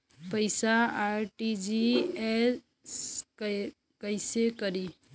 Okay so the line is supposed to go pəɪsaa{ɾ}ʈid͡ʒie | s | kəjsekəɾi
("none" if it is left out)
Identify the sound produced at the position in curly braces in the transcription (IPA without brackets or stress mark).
ɾ